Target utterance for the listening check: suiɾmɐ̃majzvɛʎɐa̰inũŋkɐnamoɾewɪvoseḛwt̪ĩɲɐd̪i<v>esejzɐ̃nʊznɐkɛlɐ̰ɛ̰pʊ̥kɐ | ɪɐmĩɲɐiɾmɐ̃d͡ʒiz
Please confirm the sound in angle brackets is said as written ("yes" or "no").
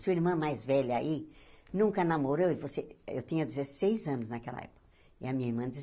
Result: no